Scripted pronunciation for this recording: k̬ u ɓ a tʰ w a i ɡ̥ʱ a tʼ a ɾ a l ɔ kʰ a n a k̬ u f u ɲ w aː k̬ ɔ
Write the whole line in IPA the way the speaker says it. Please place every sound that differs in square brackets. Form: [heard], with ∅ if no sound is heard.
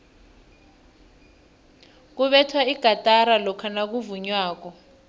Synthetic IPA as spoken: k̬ u ɓ [ɛ] tʰ w a i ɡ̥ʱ a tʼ a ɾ a l ɔ kʰ a n a k̬ u [v] u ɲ w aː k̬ ɔ